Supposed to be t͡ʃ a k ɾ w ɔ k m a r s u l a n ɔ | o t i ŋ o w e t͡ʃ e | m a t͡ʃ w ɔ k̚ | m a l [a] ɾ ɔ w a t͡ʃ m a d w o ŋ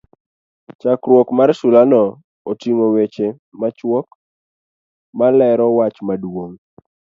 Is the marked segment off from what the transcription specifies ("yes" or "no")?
yes